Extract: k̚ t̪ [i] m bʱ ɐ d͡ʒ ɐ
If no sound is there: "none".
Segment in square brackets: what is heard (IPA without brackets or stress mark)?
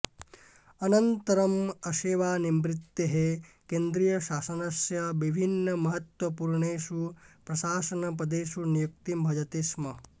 i